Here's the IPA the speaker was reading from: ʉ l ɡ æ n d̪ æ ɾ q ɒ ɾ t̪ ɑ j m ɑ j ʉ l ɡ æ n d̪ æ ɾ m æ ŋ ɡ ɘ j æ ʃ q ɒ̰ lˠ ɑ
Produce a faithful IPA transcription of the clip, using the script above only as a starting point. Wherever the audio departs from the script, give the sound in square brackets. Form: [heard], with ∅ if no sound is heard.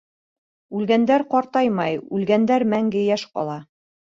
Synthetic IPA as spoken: ʉ l ɡ æ n d̪ æ ɾ q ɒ ɾ t̪ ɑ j m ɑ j ʉ l ɡ æ n d̪ æ ɾ m æ ŋ ɡ ɘ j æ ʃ q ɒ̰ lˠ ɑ